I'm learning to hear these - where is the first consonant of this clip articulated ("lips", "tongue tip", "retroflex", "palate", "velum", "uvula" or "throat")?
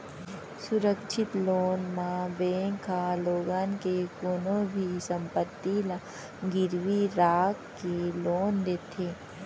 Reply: tongue tip